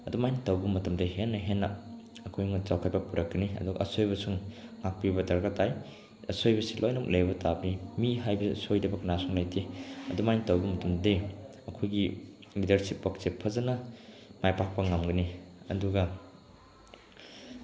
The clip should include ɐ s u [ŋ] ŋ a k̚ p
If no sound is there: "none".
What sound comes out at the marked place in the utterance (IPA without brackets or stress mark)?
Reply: ŋ